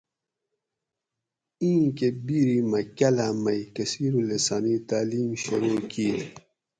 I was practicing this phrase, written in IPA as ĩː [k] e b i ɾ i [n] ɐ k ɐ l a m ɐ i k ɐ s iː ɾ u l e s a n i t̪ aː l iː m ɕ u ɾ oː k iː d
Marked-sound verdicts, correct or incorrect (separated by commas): correct, incorrect